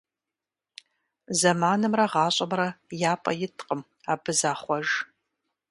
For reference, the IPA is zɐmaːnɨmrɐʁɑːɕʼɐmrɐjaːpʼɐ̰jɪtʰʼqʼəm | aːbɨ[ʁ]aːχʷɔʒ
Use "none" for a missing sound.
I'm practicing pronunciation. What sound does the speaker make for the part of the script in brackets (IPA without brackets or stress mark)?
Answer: z